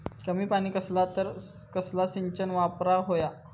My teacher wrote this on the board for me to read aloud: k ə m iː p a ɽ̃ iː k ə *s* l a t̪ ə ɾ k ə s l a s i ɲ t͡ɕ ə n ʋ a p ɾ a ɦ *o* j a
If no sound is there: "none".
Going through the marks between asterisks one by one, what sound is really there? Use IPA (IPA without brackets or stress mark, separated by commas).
s, o